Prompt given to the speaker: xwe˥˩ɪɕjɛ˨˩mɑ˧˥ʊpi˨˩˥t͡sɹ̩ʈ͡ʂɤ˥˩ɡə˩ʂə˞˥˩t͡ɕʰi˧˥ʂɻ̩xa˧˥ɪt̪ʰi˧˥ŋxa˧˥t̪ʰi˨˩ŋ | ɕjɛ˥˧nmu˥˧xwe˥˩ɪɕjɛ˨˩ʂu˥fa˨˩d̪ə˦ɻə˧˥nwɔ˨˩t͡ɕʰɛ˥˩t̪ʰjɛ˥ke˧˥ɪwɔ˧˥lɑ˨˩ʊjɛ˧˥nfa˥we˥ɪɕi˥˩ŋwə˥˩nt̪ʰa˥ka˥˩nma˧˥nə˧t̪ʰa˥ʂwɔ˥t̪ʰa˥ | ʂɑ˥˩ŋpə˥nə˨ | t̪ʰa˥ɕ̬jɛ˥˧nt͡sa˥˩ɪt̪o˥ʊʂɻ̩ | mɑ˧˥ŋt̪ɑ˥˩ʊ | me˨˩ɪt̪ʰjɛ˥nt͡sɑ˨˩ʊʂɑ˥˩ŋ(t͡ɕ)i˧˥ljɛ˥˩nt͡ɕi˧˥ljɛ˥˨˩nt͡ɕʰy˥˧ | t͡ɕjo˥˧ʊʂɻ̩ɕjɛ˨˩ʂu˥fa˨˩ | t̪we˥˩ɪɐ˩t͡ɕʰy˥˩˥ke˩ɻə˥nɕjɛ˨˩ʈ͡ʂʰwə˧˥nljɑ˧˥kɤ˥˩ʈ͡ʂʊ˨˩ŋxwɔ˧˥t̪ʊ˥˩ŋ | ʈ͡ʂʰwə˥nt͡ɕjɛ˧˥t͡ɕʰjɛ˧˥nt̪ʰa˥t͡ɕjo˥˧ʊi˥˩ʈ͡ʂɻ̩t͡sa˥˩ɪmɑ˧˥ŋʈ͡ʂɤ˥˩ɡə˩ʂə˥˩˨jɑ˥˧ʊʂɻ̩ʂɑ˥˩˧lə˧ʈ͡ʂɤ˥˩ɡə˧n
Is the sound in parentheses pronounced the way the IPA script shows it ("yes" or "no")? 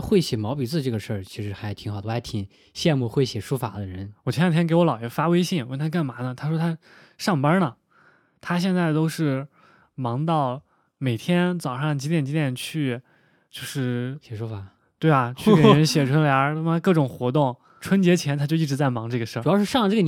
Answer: yes